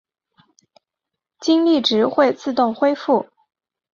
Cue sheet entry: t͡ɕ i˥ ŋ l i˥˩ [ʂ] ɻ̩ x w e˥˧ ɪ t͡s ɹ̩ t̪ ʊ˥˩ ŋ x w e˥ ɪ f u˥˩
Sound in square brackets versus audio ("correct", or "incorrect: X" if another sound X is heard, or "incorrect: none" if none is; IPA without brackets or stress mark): incorrect: ʈ͡ʂ